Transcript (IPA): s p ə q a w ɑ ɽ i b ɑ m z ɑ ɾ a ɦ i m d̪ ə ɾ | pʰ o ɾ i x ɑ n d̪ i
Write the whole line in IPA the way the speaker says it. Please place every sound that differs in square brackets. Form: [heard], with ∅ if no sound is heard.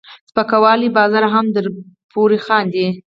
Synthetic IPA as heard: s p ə [k] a w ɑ [l] i b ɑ [∅] z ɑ ɾ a ɦ [a] m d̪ ə ɾ | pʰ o ɾ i x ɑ n d̪ i